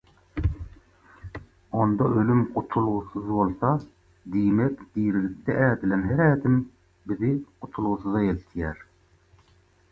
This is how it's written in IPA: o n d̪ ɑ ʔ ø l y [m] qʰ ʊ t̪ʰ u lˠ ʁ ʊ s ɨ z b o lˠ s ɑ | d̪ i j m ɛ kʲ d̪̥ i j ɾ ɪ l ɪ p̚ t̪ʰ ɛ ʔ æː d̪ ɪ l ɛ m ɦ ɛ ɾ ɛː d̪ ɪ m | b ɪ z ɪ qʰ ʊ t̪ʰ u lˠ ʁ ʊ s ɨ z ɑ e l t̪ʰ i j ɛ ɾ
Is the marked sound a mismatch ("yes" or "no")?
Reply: no